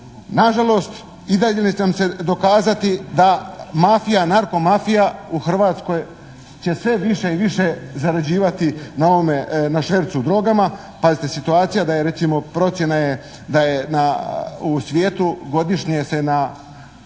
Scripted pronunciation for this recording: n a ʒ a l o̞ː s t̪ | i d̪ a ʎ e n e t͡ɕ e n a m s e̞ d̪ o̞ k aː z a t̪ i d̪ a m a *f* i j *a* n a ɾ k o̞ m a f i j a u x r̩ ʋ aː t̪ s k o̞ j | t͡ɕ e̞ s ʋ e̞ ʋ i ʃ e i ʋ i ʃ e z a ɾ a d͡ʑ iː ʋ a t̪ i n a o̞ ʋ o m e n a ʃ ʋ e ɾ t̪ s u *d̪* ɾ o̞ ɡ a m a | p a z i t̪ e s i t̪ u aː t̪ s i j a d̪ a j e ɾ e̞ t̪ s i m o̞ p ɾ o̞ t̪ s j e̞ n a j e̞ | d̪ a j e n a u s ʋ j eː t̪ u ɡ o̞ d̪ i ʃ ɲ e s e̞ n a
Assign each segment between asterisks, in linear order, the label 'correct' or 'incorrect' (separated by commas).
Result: correct, correct, correct